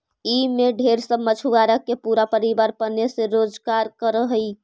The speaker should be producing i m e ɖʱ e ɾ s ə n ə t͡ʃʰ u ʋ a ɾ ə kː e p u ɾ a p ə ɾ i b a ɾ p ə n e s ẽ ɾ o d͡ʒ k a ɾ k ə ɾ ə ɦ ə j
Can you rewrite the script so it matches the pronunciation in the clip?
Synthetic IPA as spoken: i m e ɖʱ e ɾ s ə m ə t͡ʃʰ u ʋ a ɾ ə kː e p u ɾ a p ə ɾ i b a ɾ p ə n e s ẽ ɾ o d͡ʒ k a ɾ k ə ɾ ə ɦ ə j